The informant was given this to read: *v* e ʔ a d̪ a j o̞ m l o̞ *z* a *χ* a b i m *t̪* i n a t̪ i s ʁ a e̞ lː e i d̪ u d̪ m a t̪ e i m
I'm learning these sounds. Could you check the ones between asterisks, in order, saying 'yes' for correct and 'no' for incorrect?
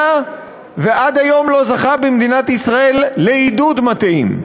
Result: yes, yes, yes, no

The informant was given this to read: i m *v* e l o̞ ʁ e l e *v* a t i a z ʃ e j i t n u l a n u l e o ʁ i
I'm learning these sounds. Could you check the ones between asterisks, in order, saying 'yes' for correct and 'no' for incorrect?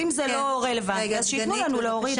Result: no, yes

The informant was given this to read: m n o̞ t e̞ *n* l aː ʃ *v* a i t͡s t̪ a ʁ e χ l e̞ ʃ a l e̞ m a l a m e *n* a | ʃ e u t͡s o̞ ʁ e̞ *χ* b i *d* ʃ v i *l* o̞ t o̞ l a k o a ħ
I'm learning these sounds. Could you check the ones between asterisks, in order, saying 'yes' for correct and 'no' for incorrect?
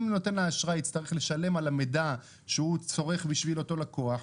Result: yes, no, no, yes, no, yes

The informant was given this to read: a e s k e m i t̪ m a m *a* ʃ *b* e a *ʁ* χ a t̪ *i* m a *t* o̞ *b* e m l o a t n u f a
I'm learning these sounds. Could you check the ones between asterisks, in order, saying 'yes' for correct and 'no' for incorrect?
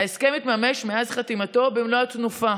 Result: no, no, no, yes, yes, yes

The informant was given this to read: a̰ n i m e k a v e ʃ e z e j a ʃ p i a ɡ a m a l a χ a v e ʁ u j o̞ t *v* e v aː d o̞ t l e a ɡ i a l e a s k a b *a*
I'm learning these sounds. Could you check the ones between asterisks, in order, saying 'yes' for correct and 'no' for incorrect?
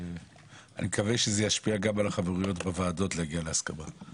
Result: no, yes

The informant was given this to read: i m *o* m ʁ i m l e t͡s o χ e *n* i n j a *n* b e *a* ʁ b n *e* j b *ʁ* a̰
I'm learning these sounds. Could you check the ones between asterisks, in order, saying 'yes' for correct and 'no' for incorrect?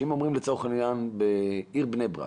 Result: yes, yes, yes, no, yes, yes

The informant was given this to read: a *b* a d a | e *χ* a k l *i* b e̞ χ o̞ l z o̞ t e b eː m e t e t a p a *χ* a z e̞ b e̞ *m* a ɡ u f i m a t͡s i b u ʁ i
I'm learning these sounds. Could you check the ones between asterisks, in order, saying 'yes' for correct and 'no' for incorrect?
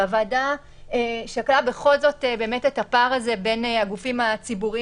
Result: no, no, no, no, no

